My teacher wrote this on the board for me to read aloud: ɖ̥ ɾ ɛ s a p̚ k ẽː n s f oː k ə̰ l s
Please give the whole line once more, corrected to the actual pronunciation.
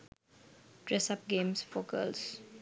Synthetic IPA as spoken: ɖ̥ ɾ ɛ s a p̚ ɡ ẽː m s f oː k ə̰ l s